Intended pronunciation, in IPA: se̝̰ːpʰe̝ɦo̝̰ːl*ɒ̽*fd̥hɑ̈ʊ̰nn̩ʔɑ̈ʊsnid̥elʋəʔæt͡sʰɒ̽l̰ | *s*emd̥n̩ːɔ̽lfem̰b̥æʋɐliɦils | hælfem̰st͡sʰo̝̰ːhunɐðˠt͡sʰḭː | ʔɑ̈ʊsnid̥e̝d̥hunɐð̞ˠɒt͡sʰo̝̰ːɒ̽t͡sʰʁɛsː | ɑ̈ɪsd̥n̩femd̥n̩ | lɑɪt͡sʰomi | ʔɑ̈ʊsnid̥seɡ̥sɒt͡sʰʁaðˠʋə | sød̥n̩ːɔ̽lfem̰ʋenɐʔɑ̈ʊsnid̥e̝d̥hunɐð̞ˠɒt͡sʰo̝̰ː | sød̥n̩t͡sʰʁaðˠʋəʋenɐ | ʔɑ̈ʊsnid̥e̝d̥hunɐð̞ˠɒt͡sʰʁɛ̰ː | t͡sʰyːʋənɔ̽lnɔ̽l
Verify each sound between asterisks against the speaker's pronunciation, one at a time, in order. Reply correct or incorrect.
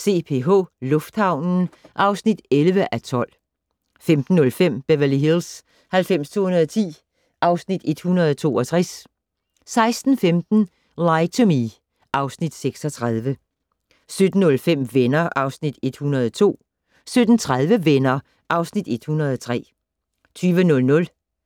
incorrect: ɔ̽, incorrect: f

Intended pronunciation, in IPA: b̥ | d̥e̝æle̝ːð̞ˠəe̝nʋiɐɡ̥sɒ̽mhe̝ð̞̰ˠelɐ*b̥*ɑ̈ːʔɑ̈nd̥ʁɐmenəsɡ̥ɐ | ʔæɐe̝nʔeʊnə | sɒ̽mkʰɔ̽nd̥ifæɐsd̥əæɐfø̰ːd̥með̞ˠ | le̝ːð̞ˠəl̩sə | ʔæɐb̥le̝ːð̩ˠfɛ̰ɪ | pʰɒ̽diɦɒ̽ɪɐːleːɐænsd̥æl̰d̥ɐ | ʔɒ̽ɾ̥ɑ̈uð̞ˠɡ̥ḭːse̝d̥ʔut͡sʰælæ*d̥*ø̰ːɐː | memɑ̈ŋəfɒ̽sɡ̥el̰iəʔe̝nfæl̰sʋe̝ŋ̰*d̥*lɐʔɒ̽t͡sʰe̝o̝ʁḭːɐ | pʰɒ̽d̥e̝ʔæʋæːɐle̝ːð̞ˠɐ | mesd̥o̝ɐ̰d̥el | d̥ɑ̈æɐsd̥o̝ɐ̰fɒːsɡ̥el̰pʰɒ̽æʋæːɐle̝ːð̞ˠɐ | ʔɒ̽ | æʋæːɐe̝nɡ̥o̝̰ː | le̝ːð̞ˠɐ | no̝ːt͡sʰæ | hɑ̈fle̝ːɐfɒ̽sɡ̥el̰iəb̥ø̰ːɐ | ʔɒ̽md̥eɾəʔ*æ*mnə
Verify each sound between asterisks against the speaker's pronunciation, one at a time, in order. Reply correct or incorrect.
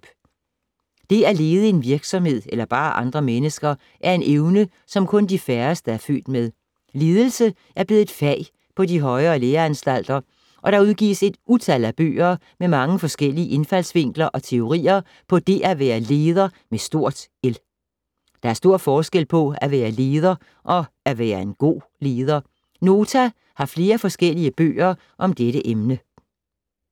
correct, incorrect: b̥, incorrect: ɡ̥, incorrect: e

